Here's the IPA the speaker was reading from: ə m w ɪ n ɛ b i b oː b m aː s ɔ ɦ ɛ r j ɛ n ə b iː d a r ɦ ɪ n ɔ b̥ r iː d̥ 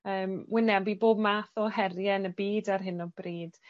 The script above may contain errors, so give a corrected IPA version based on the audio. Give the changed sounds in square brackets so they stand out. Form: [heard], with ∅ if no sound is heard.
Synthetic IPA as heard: [əː] m w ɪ n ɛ b i b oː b m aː [θ] ɔ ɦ ɛ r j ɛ n ə b iː d a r ɦ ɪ n ɔ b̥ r iː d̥